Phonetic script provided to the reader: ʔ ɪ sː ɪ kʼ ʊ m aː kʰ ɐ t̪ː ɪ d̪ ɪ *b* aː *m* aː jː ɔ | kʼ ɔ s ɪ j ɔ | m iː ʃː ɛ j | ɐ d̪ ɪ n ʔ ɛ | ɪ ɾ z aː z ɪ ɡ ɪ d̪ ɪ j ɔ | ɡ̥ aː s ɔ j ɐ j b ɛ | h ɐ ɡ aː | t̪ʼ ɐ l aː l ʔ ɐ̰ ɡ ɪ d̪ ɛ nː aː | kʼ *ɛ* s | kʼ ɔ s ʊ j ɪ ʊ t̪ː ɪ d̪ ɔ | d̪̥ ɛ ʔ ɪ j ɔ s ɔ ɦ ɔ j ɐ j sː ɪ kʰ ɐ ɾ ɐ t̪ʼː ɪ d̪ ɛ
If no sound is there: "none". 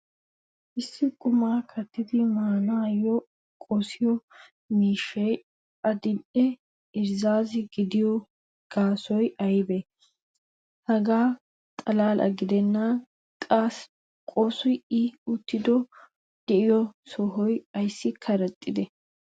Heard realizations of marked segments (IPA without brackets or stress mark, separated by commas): m, n, a